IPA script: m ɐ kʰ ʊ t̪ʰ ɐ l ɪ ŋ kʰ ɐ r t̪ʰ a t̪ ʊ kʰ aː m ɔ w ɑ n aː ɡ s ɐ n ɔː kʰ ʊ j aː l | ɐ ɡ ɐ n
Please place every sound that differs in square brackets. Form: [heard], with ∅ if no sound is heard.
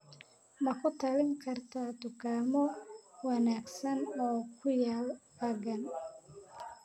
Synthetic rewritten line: m ɐ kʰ ʊ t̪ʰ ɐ l ɪ ŋ kʰ ɐ r t̪ʰ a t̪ ʊ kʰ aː m ɔ w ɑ n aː ɡ s ɐ n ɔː kʰ ʊ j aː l | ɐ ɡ ɐ n